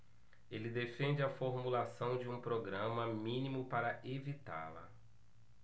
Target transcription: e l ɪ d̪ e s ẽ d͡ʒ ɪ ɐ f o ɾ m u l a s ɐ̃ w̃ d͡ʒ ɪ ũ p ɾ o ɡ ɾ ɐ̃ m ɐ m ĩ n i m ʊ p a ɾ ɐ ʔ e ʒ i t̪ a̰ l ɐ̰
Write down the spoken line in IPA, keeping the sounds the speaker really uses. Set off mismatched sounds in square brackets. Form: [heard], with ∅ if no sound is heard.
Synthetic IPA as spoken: e l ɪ d̪ e [f] ẽ d͡ʒ ɪ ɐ f o ɾ m u l a s ɐ̃ w̃ d͡ʒ ɪ ũ p ɾ o ɡ ɾ ɐ̃ m ɐ m ĩ n i m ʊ p a ɾ ɐ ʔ e [v] i t̪ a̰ l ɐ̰